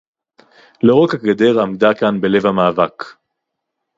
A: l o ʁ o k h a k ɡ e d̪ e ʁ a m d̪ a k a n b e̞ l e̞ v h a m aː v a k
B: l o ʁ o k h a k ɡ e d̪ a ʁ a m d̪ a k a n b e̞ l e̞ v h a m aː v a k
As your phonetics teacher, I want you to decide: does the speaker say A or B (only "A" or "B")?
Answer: A